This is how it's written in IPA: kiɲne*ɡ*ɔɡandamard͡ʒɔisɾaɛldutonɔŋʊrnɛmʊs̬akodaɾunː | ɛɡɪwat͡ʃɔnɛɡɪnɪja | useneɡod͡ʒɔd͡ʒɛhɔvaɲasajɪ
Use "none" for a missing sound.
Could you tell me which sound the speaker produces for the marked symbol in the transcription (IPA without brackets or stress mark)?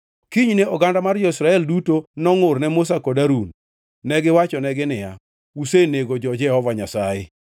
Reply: none